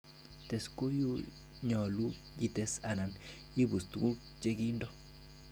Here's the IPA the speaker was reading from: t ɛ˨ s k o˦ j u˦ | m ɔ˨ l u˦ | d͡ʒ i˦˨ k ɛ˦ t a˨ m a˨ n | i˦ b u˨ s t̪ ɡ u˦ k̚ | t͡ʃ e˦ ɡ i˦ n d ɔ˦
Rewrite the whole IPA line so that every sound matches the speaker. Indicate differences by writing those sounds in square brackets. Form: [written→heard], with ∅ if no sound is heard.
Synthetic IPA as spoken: t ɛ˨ s k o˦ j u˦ | [m→ɲ] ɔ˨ l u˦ | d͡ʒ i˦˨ [k→t] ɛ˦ [t→s] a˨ [m→n] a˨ n | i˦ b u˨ s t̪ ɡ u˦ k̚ | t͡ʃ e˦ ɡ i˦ n d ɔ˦

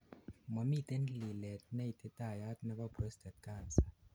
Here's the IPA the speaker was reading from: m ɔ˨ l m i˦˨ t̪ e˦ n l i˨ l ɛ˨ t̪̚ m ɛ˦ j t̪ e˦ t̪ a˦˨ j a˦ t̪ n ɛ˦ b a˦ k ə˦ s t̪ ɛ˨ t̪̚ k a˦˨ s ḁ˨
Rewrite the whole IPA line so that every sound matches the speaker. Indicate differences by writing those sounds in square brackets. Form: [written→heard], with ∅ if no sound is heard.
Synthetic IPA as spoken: m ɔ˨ [l→∅] m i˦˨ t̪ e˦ n l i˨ l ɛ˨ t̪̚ [m→n] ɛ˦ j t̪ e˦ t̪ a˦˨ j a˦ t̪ n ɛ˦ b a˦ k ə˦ s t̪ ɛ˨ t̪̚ k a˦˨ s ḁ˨

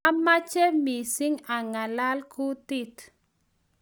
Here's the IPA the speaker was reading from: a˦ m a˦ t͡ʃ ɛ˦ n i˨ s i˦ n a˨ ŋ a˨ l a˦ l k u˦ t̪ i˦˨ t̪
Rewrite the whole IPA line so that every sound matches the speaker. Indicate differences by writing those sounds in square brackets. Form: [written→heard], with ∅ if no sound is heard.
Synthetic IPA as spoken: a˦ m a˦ t͡ʃ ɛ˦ [n→m] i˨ s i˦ [n→ŋ] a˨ ŋ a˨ l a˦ l k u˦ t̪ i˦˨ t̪

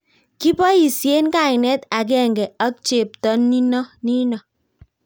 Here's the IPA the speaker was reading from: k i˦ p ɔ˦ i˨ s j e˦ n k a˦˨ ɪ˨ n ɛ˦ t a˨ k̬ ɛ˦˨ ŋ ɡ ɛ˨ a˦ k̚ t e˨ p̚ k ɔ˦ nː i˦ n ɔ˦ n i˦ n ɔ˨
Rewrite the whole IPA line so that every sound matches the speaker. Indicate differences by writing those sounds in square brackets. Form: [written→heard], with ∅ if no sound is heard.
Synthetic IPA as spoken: k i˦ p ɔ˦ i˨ s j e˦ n k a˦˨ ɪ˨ n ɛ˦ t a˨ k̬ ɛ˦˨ ŋ ɡ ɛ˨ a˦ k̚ [t→t͡ʃ] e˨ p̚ [k→t] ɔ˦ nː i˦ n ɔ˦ n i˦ n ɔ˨

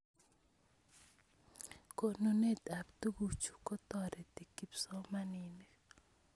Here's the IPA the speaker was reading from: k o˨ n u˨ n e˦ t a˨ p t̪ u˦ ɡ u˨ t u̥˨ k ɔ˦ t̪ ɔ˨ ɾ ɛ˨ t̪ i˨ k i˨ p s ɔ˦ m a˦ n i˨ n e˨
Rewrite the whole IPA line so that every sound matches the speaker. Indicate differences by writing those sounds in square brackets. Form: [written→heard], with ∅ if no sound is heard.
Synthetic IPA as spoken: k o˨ n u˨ n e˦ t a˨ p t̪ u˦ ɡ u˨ [t→t͡ʃ] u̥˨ k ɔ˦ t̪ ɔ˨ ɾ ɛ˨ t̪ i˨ k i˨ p s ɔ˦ m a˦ n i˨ n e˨

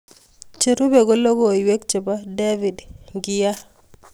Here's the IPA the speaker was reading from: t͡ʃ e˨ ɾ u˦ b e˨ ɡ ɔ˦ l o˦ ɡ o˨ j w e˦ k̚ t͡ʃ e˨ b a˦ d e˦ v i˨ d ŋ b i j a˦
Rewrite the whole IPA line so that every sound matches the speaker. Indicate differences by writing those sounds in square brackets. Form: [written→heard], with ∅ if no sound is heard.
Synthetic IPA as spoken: t͡ʃ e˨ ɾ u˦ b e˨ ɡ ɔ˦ l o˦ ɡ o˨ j w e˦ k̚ t͡ʃ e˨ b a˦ d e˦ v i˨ d ŋ [b→ɡ] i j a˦

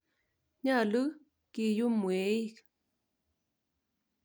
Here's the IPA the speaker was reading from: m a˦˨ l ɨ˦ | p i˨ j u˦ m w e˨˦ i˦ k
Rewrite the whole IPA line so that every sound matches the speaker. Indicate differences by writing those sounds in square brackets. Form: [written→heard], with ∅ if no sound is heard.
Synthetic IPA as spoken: [m→ɲ] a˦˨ l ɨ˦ | [p→k] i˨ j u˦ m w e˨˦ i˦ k

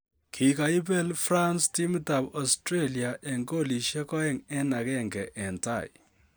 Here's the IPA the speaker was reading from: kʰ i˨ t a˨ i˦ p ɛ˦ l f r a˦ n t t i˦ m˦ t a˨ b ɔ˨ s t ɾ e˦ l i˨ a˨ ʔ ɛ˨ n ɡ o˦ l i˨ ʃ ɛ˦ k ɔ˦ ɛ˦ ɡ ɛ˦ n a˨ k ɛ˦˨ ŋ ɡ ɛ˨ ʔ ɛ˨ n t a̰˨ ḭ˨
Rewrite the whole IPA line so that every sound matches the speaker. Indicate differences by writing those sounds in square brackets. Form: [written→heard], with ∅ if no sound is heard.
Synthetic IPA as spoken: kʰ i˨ [t→k] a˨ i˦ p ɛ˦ l f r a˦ n [t→s] t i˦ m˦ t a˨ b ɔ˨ s t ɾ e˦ l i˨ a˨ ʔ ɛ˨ [n→ŋ] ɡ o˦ l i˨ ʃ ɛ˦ k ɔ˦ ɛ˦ [ɡ→ŋ] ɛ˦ n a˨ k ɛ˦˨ ŋ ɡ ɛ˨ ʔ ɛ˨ n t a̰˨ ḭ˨

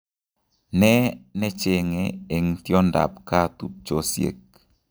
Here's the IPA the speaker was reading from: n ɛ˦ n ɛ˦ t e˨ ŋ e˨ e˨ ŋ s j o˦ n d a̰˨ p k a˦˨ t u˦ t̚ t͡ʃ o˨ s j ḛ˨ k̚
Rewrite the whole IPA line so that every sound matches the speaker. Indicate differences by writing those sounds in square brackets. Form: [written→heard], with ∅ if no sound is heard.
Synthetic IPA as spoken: n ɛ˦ n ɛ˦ [t→t͡ʃ] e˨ ŋ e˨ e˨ ŋ [s→t] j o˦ n d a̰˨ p k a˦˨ t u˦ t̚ t͡ʃ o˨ s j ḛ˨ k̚

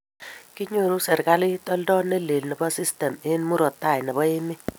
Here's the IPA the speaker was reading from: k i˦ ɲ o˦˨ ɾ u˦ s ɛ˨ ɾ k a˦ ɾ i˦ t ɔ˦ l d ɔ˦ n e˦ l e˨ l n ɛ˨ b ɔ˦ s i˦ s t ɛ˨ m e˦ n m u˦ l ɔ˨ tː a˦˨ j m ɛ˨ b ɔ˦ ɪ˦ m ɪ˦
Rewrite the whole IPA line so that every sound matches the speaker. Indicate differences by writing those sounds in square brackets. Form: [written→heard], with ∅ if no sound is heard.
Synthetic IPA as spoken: k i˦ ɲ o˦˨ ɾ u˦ s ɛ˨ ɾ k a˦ [ɾ→l] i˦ t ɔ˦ l d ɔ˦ n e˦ l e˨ l n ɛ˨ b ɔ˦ s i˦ s t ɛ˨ m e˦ n m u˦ [l→ɾ] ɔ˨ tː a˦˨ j [m→n] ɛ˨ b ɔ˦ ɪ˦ m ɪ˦

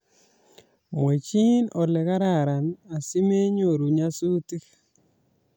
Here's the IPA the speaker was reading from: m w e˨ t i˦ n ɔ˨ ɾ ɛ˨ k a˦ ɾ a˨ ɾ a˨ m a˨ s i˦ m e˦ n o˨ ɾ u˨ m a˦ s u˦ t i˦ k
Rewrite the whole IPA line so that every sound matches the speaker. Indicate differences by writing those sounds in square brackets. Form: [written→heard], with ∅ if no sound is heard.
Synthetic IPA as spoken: m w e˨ [t→t͡ʃ] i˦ n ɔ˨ [ɾ→l] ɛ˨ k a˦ ɾ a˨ ɾ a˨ [m→n] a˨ s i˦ m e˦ [n→ɲ] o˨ ɾ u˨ [m→ɲ] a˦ s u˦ t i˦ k

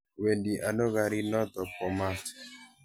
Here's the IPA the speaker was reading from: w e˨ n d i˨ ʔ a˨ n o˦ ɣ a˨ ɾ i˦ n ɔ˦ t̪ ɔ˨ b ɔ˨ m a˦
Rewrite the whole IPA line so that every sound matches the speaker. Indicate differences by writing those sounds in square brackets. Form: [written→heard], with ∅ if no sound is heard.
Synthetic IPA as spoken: w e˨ n d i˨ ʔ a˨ n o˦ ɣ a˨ ɾ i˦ n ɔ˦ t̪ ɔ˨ [b→p] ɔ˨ m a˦

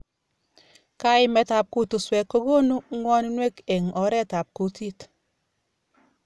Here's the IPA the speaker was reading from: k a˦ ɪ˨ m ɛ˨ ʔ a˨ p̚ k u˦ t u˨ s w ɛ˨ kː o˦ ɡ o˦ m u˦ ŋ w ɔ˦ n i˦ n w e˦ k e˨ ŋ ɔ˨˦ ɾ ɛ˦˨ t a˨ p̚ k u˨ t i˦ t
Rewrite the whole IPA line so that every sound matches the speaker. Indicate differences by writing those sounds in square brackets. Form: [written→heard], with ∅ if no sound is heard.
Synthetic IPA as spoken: k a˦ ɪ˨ m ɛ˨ [ʔ→t] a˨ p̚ k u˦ t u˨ s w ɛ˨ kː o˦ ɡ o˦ [m→n] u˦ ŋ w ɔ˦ n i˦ n w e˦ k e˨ ŋ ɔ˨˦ ɾ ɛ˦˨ t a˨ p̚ k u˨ t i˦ t

